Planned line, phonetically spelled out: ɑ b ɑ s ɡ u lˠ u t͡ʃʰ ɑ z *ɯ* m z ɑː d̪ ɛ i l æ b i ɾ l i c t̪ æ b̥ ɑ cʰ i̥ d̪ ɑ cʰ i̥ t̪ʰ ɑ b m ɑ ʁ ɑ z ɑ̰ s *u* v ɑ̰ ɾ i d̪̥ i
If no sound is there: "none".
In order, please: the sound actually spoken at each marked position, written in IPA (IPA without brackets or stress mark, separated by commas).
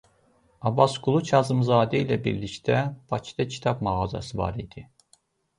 ɯ, ɯ